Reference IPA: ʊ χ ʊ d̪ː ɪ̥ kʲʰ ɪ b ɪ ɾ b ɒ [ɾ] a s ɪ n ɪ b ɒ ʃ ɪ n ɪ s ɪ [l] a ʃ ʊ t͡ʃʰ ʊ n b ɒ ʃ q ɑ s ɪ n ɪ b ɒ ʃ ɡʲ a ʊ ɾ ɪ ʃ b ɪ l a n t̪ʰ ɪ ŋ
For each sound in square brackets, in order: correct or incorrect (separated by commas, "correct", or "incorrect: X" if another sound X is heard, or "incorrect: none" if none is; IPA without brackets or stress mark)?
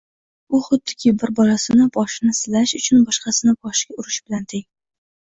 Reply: incorrect: l, correct